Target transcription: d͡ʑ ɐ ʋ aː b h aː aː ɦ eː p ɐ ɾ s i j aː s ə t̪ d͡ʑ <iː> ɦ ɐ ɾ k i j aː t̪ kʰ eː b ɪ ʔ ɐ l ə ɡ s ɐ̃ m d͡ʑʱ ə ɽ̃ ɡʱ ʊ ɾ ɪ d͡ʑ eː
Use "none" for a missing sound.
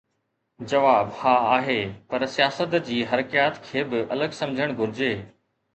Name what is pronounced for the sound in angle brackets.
iː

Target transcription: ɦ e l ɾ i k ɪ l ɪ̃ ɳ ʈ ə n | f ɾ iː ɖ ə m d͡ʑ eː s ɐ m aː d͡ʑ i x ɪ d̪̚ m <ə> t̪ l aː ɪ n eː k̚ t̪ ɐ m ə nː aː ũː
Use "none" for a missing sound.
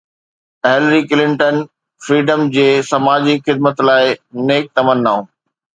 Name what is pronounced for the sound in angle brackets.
ə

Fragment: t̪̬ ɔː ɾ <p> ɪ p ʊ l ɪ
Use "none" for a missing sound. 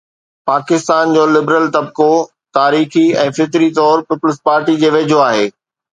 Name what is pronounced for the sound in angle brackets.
p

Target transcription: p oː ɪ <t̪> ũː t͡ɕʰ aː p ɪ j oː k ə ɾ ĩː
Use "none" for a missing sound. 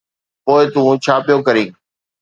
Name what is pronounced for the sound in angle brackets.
t̪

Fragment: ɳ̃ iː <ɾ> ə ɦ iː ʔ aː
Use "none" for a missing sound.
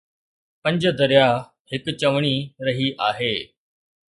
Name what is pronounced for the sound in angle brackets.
ɾ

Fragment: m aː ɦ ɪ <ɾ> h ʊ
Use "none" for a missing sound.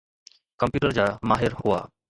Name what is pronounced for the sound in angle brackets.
ɾ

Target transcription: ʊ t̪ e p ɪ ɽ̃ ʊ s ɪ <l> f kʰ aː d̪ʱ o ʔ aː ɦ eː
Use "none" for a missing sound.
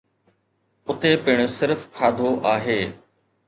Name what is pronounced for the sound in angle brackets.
ɾ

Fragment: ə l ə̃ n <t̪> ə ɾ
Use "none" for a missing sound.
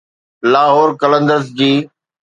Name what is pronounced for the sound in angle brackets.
d̪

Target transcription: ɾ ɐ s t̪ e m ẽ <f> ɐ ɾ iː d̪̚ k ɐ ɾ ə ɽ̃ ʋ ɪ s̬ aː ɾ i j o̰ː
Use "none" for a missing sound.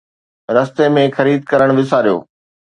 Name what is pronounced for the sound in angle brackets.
x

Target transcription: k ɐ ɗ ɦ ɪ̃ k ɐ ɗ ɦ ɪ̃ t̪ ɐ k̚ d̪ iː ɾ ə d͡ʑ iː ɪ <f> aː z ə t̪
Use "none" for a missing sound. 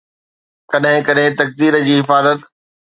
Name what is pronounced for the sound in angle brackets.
f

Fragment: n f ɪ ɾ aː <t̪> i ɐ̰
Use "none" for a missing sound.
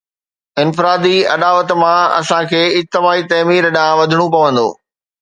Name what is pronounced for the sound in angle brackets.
d̪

